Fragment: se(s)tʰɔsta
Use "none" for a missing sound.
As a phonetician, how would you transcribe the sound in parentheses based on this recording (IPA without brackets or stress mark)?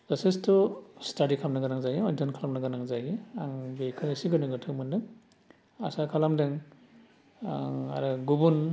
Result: s